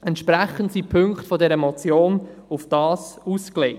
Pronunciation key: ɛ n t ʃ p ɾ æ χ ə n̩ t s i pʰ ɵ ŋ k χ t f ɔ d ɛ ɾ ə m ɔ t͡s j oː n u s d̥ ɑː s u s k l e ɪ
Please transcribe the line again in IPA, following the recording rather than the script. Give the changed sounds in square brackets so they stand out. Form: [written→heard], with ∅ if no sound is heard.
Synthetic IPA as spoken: ɛ n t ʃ p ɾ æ χ ə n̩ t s i pʰ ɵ ŋ k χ t f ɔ d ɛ ɾ ə m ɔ t͡s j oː n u [s→f] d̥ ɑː s u s k l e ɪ